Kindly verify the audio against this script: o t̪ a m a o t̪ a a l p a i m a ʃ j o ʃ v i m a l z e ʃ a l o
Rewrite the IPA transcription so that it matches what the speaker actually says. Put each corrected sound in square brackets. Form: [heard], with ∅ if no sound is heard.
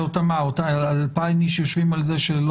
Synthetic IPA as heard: o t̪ a m a o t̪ a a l p a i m [i] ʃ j o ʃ v i m a l z e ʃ [e] l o